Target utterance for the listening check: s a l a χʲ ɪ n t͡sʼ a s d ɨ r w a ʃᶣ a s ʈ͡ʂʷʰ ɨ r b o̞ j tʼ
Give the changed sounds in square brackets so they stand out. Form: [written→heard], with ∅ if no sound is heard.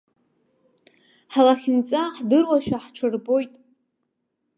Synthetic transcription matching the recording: [s→ħ] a l a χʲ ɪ n t͡sʼ a [s→ħ] d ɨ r w a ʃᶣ a [s→ħ] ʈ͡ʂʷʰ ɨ r b o̞ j tʼ